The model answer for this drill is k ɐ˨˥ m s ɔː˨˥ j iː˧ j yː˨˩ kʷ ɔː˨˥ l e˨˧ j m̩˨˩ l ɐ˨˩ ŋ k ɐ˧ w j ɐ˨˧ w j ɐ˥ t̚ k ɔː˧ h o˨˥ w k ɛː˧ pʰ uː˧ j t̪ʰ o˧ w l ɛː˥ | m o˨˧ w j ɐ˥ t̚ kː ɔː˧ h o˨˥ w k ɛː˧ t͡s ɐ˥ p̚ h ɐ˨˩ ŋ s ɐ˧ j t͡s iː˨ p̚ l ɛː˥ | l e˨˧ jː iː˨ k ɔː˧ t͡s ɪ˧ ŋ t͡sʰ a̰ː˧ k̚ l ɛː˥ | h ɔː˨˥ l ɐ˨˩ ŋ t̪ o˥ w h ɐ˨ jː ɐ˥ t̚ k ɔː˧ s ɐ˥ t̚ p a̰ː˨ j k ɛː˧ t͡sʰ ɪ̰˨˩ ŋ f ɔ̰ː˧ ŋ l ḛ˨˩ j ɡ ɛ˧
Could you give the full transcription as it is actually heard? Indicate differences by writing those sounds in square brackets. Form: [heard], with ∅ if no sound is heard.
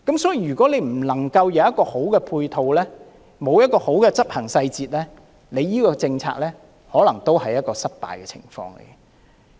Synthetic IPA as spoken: k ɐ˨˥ m s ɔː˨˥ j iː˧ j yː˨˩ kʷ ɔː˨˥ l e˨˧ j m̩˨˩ l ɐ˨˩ ŋ k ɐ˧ w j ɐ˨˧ w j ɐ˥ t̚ k ɔː˧ h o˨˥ w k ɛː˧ pʰ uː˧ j t̪ʰ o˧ w l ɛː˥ | m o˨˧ w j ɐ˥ t̚ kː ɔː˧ h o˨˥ w k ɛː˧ t͡s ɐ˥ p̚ h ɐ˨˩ ŋ s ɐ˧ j t͡s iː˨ [t̚] l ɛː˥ | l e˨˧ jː [iː˥] k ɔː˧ t͡s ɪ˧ ŋ t͡sʰ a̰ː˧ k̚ l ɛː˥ | h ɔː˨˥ l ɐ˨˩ ŋ t̪ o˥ w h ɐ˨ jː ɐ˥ t̚ k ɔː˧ s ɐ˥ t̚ p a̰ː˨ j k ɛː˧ t͡sʰ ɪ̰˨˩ ŋ f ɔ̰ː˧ ŋ l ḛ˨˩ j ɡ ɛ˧

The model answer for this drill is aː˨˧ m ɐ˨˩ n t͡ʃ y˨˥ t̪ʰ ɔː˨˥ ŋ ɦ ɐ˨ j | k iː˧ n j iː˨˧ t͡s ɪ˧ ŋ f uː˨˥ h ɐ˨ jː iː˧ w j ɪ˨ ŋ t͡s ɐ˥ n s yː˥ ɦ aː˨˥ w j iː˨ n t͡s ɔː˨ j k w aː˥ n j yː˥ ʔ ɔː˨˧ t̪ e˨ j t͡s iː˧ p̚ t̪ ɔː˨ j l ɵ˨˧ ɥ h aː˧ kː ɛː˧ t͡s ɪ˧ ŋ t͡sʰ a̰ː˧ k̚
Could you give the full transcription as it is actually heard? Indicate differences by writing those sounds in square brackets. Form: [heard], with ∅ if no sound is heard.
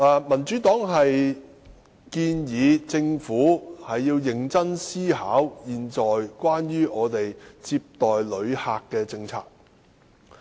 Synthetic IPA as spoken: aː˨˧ m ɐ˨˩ n t͡ʃ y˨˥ [t̪] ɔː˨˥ ŋ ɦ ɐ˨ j | k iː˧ n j iː˨˧ t͡s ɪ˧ ŋ f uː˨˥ h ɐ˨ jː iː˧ w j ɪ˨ ŋ t͡s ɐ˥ n s [iː˥] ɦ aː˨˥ w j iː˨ n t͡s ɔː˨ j k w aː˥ n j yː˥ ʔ ɔː˨˧ t̪ e˨ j t͡s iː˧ p̚ t̪ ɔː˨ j l ɵ˨˧ ɥ h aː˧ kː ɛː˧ t͡s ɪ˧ ŋ t͡sʰ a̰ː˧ k̚

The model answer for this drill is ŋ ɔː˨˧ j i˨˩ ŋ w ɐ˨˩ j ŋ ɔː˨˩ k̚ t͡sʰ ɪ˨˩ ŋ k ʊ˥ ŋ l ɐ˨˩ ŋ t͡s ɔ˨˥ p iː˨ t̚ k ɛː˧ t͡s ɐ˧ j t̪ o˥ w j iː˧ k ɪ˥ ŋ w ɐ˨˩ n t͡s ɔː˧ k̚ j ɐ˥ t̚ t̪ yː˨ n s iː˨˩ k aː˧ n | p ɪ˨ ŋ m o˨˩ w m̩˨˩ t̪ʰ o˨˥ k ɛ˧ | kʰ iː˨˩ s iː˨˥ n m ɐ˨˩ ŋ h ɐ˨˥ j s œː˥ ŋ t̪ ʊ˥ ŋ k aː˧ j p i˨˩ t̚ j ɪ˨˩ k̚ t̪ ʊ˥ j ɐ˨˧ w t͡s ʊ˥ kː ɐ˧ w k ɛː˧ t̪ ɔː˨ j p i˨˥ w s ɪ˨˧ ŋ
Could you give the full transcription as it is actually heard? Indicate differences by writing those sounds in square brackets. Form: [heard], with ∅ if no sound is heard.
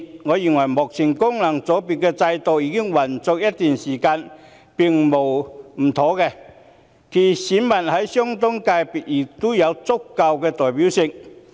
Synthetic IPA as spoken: ŋ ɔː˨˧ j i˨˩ ŋ w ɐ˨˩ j [m] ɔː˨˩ k̚ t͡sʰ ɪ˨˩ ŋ k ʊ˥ ŋ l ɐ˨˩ ŋ t͡s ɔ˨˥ p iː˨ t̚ k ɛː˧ t͡s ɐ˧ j t̪ [o˨] w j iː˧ k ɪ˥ ŋ w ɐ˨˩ n t͡s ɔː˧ k̚ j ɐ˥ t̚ t̪ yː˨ n s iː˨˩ k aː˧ n | p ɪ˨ ŋ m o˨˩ w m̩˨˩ t̪ʰ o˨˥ k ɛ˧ | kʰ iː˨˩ s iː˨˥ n m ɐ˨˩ [n] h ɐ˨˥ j s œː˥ ŋ t̪ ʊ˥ ŋ k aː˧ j p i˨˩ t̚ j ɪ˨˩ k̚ t̪ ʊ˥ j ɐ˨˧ w t͡s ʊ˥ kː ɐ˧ w k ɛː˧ t̪ ɔː˨ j p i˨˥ w s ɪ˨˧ ŋ

